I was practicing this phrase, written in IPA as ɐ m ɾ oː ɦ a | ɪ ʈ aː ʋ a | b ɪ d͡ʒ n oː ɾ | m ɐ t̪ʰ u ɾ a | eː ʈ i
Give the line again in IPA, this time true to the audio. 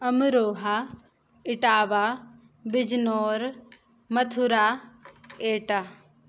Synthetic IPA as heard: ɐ m ɾ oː ɦ a | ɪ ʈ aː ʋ a | b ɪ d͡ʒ n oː ɾ | m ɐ t̪ʰ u ɾ a | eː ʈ a